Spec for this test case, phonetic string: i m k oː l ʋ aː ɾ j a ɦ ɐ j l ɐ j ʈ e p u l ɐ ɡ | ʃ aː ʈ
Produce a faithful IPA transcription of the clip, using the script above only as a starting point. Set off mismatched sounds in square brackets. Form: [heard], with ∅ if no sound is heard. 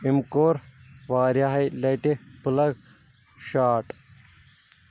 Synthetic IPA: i m k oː [ɾ] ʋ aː ɾ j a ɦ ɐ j l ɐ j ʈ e p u l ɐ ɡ | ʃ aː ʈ